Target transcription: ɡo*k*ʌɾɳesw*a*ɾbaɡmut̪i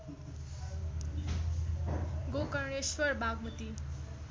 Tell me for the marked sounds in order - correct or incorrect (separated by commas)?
correct, incorrect